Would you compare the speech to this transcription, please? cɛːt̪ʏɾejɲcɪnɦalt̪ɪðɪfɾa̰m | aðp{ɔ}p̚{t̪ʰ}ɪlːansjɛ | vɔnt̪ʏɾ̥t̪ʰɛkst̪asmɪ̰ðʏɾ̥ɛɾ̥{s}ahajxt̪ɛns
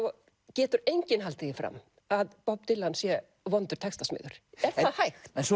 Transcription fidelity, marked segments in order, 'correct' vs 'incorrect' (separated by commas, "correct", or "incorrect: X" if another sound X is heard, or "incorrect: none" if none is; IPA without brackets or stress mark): correct, incorrect: t̪, incorrect: θ